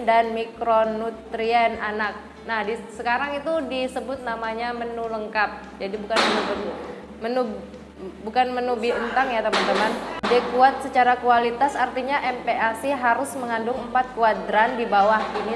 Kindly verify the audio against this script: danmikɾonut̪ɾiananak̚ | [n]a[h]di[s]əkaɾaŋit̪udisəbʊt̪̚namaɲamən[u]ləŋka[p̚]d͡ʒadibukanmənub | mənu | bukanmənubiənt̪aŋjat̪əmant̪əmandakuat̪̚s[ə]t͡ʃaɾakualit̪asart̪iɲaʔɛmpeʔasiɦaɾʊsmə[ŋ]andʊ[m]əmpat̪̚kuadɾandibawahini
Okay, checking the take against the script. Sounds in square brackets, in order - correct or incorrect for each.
correct, correct, correct, correct, correct, correct, correct, incorrect: ŋ

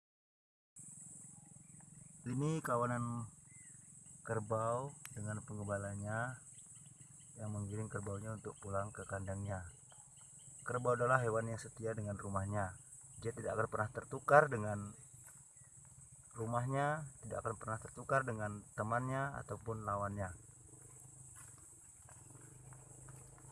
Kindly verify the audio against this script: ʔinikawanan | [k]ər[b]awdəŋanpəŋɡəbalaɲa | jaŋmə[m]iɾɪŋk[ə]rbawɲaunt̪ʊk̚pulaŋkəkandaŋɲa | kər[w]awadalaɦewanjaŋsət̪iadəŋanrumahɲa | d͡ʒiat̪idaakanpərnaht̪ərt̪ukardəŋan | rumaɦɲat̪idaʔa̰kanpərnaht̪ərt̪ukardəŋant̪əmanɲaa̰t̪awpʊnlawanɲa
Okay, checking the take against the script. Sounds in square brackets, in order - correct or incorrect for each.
correct, correct, incorrect: ŋ, correct, incorrect: b

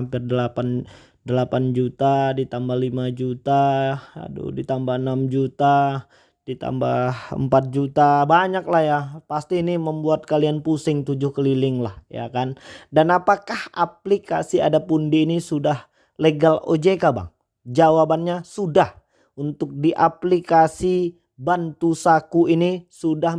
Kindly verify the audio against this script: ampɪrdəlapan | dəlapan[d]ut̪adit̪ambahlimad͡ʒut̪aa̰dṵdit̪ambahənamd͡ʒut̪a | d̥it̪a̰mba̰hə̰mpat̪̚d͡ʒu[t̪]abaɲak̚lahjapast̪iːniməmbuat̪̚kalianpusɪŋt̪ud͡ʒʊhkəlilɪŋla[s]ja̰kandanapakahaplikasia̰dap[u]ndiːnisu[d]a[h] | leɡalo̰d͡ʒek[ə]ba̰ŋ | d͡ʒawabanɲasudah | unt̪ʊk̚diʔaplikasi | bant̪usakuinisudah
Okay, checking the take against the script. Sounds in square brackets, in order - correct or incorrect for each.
incorrect: d͡ʒ, correct, incorrect: h, correct, correct, correct, incorrect: a

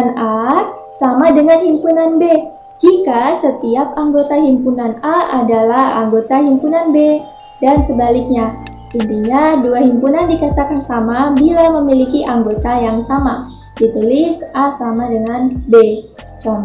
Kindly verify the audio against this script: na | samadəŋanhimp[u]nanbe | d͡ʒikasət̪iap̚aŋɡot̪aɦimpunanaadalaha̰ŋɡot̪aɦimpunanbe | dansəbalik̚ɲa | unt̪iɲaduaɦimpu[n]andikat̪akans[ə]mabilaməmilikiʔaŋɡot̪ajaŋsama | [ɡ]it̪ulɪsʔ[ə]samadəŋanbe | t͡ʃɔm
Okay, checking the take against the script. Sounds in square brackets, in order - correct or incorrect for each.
correct, correct, incorrect: a, incorrect: d, incorrect: a

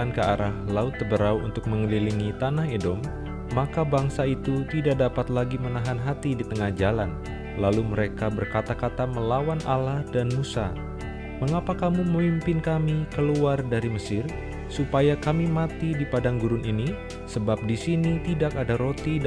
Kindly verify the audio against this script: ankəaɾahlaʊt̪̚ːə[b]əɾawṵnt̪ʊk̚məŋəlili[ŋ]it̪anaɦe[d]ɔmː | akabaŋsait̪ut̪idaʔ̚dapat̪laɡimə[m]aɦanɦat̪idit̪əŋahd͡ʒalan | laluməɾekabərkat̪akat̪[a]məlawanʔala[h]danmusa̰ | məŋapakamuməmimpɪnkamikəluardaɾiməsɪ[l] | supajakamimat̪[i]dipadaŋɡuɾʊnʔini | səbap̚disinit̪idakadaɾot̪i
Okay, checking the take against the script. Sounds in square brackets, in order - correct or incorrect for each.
correct, correct, correct, incorrect: n, correct, correct, incorrect: r, correct

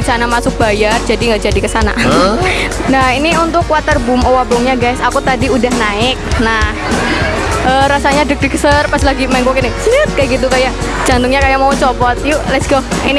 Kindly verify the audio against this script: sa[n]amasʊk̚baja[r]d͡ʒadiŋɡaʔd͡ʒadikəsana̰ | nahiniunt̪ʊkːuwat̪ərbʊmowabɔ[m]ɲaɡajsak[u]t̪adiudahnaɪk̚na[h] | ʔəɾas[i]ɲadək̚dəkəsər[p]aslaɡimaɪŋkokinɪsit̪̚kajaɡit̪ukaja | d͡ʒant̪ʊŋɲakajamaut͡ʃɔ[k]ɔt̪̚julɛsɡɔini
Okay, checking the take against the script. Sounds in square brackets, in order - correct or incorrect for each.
correct, correct, incorrect: ŋ, correct, correct, incorrect: a, correct, incorrect: p

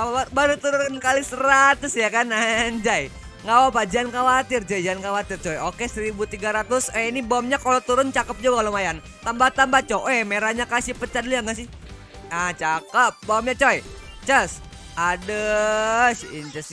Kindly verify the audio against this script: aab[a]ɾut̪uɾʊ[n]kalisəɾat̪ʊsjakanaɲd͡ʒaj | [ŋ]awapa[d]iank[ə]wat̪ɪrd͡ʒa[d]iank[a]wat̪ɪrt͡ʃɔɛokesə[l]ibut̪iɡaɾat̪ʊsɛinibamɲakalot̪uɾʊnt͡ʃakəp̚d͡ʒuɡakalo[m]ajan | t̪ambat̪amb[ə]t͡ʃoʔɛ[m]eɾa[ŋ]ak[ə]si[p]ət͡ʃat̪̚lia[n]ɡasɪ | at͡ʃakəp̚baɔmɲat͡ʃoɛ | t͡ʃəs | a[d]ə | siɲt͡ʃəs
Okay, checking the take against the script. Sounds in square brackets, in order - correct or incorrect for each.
correct, correct, correct, incorrect: d͡ʒ, incorrect: a, incorrect: d͡ʒ, correct, incorrect: ɾ, correct, incorrect: a, correct, incorrect: ɲ, incorrect: a, correct, incorrect: ŋ, correct

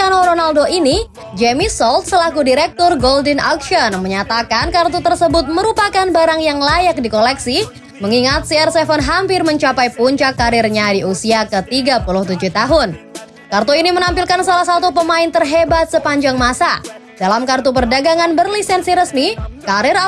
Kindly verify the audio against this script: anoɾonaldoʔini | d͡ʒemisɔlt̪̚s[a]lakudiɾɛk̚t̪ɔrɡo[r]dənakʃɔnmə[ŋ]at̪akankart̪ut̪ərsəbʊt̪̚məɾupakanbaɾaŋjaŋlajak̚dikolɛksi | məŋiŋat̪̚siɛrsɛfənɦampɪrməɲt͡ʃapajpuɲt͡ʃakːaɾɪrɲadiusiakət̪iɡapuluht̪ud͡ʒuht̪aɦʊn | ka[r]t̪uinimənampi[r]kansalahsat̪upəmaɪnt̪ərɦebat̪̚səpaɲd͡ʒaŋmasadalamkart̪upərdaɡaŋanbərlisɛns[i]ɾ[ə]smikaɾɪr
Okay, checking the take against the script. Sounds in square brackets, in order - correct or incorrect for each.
incorrect: ə, incorrect: l, incorrect: ɲ, correct, incorrect: l, correct, correct

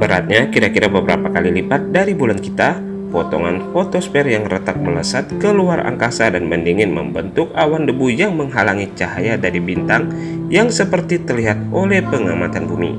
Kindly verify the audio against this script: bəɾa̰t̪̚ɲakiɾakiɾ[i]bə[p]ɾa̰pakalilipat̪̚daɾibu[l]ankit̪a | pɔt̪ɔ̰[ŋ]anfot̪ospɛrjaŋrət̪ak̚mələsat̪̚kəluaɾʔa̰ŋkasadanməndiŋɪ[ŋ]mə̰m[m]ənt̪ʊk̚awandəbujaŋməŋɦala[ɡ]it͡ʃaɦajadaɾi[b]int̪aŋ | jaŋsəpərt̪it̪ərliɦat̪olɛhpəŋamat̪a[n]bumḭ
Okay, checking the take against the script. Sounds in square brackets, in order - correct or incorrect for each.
incorrect: a, incorrect: b, correct, correct, incorrect: n, incorrect: b, incorrect: ŋ, correct, correct

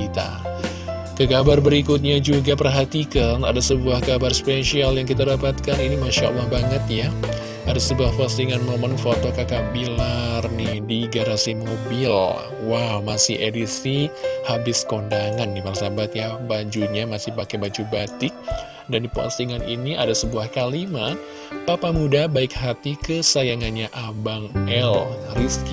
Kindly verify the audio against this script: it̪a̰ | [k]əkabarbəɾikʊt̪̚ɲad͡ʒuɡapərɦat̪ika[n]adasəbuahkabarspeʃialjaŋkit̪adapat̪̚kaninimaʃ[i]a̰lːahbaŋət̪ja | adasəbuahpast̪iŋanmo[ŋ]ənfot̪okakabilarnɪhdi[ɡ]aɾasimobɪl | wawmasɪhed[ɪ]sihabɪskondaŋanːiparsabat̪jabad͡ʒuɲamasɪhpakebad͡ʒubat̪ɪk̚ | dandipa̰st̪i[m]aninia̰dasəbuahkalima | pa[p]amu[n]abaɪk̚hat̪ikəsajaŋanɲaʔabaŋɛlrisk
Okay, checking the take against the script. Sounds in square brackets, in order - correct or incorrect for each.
correct, correct, incorrect: a, incorrect: m, correct, incorrect: i, incorrect: ŋ, correct, incorrect: d

